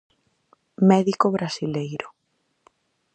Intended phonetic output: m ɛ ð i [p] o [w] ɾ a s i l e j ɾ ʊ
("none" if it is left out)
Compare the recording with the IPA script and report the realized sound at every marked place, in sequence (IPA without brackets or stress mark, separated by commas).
k, β